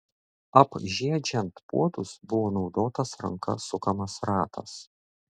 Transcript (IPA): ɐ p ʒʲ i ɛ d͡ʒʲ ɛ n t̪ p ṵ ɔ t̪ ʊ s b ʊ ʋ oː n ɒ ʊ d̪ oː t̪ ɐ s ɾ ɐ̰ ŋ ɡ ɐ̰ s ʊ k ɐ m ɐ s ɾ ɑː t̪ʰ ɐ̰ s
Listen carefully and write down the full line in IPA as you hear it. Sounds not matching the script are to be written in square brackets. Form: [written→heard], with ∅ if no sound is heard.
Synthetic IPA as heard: ɐ p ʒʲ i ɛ d͡ʒʲ ɛ n t̪ p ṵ ɔ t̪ ʊ s b ʊ ʋ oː n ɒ ʊ d̪ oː t̪ ɐ s ɾ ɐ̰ ŋ [ɡ→k] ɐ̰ s ʊ k ɐ m ɐ s ɾ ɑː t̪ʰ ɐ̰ s